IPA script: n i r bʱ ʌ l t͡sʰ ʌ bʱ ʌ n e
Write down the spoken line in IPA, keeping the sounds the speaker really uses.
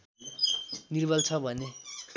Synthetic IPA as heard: n i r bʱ ʌ l t͡sʰ ʌ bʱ ʌ n e